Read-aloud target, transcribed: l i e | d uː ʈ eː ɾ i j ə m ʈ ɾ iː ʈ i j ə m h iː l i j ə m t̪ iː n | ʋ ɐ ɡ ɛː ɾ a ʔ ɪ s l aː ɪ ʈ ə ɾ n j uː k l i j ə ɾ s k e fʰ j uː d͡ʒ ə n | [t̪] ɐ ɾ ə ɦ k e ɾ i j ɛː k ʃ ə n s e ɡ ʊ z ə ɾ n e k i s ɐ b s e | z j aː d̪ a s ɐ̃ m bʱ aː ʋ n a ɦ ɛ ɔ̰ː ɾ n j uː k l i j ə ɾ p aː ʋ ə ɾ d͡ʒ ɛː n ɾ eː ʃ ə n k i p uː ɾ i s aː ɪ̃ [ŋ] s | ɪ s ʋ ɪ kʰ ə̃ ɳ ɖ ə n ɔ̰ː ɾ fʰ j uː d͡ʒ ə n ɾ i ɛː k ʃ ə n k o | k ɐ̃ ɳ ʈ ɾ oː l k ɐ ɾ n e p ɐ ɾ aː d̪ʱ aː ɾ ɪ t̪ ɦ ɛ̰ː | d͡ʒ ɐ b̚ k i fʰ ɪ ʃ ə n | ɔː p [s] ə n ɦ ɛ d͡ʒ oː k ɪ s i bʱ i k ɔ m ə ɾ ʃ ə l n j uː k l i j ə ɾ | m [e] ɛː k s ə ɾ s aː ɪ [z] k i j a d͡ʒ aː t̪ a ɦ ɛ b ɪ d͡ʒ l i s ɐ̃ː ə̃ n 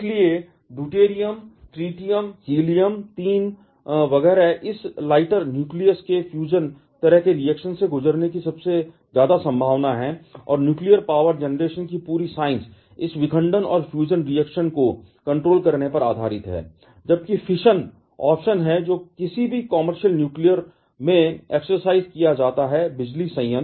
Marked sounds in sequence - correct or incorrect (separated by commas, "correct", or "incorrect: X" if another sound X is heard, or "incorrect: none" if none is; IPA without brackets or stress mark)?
correct, incorrect: n, incorrect: ʃ, incorrect: ẽ, correct